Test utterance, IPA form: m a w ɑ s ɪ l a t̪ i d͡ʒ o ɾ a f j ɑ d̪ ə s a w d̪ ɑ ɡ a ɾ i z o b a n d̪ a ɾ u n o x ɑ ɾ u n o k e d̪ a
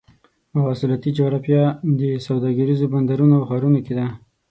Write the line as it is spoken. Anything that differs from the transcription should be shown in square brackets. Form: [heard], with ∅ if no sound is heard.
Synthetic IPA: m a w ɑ s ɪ l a t̪ i d͡ʒ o ɾ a f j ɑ d̪ ə s a w d̪ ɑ ɡ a ɾ i z o b a n d̪ a ɾ u n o x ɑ ɾ u n o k e d̪ a